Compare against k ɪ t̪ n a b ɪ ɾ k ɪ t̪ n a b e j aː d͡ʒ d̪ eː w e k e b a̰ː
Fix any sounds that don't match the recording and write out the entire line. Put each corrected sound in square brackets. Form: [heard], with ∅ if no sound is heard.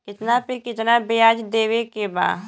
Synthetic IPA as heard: k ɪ t̪ n a [p] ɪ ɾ k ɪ t̪ n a b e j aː d͡ʒ d̪ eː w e k e b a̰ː